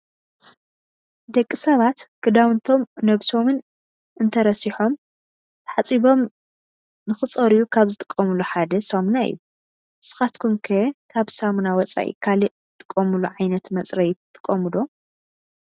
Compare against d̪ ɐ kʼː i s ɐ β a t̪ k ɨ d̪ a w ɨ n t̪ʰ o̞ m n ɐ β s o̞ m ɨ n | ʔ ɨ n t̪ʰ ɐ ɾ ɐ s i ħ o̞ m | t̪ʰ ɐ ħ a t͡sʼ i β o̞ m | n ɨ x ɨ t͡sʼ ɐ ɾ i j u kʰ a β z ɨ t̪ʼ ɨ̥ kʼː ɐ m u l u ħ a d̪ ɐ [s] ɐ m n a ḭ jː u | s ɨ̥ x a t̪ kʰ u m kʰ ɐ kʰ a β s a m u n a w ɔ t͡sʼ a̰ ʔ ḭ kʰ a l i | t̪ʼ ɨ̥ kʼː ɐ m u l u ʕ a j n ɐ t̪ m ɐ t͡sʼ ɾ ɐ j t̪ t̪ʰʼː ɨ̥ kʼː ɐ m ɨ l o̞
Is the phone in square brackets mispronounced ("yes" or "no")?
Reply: no